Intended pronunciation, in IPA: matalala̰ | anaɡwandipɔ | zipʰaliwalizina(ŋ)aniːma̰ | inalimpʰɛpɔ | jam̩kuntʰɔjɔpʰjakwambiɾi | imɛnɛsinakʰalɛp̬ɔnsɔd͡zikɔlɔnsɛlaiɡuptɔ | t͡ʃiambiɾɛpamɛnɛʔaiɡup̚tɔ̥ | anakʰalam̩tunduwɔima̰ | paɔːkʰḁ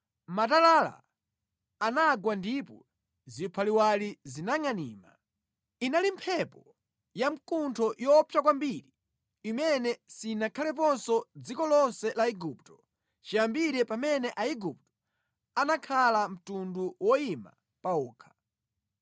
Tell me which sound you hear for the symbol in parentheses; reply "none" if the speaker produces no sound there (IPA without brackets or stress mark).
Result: ŋ